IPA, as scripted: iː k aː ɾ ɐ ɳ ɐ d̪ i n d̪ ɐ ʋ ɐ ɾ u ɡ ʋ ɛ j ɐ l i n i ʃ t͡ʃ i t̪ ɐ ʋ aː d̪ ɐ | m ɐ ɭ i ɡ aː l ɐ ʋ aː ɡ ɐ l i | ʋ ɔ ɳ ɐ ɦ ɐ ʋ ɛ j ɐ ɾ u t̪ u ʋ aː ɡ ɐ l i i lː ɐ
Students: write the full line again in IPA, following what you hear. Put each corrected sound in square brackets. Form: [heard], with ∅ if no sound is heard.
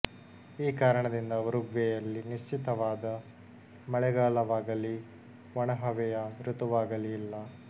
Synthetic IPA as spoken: iː k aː ɾ ɐ ɳ ɐ d̪ i n d̪ ɐ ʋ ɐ ɾ u ɡ ʋ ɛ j ɐ [lː] i n i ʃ t͡ʃ i t̪ ɐ ʋ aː d̪ ɐ | m ɐ ɭ [ɛ] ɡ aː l ɐ ʋ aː ɡ ɐ l i | ʋ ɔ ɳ ɐ ɦ ɐ ʋ ɛ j ɐ ɾ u t̪ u ʋ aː ɡ ɐ l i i lː ɐ